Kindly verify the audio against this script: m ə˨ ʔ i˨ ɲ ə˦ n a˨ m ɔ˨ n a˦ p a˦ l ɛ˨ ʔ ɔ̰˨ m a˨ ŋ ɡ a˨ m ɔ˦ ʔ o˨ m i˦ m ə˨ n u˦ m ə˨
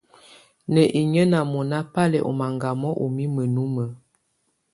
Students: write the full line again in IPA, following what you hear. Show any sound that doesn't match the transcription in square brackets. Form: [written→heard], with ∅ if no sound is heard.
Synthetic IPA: [m→n] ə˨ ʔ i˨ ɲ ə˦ n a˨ m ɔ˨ n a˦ p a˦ l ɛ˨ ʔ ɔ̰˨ m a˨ ŋ ɡ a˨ m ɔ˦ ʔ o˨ m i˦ m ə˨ n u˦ m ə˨